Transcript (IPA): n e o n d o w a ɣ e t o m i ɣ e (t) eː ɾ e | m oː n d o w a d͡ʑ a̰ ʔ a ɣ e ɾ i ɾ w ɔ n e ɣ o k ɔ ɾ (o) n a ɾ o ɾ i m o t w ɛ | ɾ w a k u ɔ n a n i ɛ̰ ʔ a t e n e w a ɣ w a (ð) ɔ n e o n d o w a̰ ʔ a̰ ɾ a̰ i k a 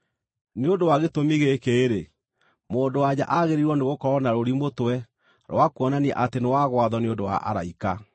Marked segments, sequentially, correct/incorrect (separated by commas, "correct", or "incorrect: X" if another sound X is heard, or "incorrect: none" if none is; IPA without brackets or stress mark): incorrect: k, incorrect: ɔ, correct